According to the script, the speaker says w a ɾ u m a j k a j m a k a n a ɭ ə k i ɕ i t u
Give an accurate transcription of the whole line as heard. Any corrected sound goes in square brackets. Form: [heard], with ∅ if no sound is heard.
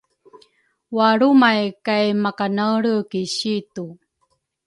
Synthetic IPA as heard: w a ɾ u m a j k a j m a k a n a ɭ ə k i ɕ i t u

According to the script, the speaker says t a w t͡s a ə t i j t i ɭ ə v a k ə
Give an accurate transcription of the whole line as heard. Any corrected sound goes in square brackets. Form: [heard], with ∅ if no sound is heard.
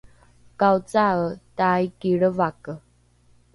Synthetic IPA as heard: [k] a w t͡s a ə t [a] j [k] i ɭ ə v a k ə

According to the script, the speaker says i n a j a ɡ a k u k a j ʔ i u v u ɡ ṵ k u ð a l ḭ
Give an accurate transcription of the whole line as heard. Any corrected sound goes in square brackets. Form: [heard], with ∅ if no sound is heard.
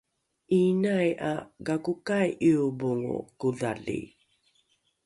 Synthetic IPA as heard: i n a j a ɡ a k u k a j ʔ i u [b] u [ŋ] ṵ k u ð a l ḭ

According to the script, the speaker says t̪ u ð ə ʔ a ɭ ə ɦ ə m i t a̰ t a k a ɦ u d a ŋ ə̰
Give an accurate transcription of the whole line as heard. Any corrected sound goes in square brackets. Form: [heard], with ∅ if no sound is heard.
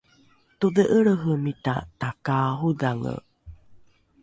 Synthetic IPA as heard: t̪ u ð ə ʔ [ə] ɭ ə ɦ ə m i t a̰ t a k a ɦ u d a ŋ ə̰

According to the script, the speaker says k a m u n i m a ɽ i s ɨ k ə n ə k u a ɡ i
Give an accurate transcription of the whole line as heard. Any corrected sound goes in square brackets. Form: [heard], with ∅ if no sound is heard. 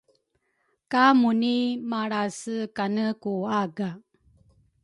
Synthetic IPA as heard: k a m u n i m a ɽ [a] s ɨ k [a] n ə k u a ɡ [a]

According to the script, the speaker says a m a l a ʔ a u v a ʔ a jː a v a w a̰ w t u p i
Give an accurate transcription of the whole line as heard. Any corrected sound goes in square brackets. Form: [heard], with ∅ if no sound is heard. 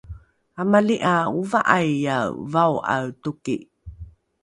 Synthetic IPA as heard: a m a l [i] ʔ a u v a ʔ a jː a v a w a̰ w t u [k] i

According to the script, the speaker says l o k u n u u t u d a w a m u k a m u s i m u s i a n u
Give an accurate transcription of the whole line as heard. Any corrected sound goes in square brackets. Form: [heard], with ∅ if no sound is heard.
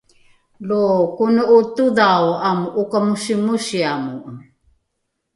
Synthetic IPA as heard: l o k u n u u t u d a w a m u k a m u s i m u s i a [m] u

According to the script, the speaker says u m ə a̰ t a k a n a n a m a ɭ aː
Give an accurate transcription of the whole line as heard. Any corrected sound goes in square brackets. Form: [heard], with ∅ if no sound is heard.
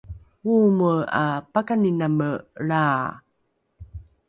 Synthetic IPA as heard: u m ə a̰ [p] a k a n [i] n a m [ə] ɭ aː

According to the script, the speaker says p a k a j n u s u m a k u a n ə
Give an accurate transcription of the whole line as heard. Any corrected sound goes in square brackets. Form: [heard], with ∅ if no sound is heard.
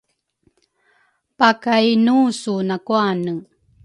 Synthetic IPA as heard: p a k a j n u s u [n] a k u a n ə

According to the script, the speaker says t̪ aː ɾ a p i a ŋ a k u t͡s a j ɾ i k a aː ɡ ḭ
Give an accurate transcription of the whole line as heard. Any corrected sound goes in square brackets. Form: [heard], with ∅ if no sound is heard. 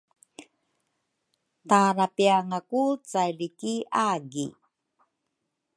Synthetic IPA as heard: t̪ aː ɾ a p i a ŋ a k u t͡s a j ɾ i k [i] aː ɡ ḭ

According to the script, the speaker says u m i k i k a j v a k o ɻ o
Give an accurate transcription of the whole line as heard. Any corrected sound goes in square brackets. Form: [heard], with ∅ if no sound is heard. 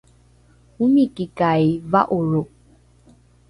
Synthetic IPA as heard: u m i k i k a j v a [ʔ] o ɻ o

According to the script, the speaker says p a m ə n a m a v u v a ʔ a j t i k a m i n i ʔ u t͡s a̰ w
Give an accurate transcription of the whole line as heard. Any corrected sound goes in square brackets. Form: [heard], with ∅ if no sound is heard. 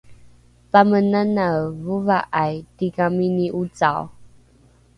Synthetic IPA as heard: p a m ə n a [n] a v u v a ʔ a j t i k a m i n i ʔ u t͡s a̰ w

